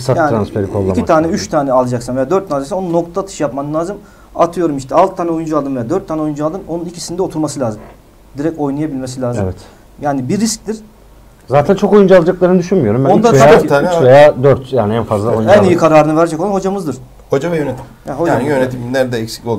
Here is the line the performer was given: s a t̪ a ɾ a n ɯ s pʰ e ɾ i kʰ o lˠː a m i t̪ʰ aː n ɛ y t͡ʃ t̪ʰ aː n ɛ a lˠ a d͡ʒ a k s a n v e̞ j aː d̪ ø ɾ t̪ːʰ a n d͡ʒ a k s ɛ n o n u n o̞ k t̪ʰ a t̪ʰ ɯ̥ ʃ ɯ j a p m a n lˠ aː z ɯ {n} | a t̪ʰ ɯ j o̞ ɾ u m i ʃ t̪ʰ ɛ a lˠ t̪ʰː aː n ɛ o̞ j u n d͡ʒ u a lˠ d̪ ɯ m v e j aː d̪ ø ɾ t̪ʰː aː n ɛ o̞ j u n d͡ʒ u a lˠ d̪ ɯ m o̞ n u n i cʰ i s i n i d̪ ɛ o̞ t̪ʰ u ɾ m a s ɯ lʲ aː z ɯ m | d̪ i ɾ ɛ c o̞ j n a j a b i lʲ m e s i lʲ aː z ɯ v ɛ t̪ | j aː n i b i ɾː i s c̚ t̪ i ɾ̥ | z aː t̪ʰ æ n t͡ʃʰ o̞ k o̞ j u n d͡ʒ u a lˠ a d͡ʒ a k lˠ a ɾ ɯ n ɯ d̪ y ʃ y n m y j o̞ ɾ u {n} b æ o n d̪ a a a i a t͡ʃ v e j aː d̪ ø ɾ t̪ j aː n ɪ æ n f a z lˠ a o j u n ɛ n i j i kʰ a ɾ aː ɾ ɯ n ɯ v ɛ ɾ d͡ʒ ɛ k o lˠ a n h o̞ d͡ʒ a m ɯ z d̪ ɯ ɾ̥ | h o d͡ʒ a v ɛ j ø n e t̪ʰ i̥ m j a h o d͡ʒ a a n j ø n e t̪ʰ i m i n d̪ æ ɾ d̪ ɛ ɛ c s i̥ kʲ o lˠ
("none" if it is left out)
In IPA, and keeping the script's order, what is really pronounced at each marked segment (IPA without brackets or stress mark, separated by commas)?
m, m